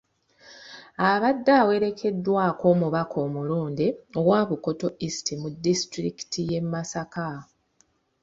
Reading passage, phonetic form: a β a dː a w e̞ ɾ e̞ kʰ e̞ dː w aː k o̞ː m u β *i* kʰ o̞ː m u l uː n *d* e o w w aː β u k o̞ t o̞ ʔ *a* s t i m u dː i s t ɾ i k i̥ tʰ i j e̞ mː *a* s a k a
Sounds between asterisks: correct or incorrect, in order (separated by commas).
incorrect, correct, incorrect, correct